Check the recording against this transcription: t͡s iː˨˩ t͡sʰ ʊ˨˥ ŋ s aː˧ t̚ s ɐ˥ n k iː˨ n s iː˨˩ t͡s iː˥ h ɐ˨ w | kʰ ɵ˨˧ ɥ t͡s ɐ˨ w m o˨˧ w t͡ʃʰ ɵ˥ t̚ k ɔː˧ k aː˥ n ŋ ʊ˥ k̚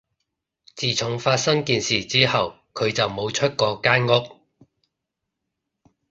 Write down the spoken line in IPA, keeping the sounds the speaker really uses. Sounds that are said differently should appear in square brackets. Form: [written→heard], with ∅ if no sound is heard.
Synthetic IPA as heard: t͡s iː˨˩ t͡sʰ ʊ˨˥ ŋ [s→f] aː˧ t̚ s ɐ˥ [n→ŋ] k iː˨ n s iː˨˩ t͡s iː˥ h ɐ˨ w | kʰ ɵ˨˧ ɥ t͡s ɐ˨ w m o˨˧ w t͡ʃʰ ɵ˥ t̚ k ɔː˧ k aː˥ n ŋ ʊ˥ k̚